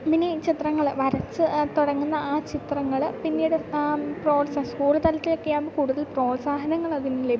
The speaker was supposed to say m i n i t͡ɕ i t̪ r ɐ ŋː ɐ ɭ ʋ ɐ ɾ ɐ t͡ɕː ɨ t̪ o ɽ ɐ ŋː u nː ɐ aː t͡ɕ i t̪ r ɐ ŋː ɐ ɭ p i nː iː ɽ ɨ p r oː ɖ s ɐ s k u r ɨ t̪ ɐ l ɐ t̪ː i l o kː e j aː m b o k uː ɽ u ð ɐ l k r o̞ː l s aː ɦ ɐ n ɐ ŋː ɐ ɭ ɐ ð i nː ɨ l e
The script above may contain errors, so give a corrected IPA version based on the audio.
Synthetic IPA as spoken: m i n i t͡ɕ i t̪ r ɐ ŋː ɐ ɭ ʋ ɐ ɾ ɐ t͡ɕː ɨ t̪ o ɽ ɐ ŋː u nː ɐ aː t͡ɕ i t̪ r ɐ ŋː ɐ ɭ p i nː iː ɽ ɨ p r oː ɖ s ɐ s k uː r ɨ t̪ ɐ l ɐ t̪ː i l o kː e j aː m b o k uː ɽ u ð ɐ l p r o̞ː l s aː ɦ ɐ n ɐ ŋː ɐ ɭ ɐ ð i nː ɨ l e